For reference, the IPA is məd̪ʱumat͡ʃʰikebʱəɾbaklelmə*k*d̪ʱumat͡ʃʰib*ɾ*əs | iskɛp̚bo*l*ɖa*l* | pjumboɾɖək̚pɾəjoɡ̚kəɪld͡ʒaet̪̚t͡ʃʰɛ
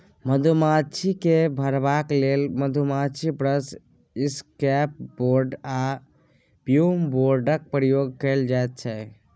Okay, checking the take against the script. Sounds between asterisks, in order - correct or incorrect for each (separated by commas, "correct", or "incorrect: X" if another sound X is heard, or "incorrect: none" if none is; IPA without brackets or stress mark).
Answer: incorrect: none, correct, incorrect: ɾ, incorrect: none